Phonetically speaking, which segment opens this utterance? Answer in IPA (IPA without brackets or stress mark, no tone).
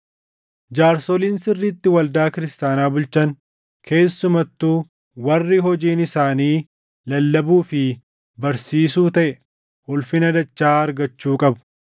d͡ʒ